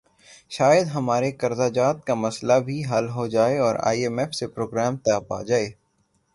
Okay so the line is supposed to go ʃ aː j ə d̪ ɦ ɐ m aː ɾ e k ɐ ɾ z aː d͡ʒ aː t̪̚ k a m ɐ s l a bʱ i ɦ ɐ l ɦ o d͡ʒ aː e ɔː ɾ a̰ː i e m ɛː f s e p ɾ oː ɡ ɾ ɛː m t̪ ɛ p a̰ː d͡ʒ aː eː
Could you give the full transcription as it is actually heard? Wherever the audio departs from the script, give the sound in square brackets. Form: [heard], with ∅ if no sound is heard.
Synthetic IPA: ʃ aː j ə d̪ ɦ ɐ m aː ɾ e k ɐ ɾ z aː d͡ʒ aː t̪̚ k a m ɐ s l a bʱ i ɦ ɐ l ɦ o d͡ʒ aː e ɔː ɾ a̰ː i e m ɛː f s e p ɾ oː ɡ ɾ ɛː m t̪ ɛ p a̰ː d͡ʒ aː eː